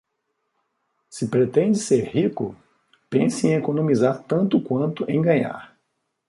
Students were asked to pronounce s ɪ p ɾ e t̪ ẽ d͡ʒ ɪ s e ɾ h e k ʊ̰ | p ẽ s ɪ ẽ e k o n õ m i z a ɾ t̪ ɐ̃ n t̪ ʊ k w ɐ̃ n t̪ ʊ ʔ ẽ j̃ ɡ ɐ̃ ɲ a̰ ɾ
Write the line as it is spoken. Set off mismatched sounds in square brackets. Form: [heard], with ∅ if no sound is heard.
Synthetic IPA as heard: s ɪ p ɾ e t̪ ẽ d͡ʒ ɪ s e ɾ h [i] k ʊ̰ | p ẽ s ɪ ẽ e k o n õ m i z a ɾ t̪ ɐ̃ n t̪ ʊ k w ɐ̃ n t̪ ʊ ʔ ẽ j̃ ɡ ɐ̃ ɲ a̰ ɾ